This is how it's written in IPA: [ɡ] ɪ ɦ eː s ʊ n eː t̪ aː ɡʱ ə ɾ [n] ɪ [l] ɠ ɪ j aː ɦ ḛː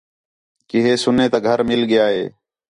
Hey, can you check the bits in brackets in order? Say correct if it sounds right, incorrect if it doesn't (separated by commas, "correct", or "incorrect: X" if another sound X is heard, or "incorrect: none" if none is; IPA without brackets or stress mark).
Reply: incorrect: k, incorrect: m, correct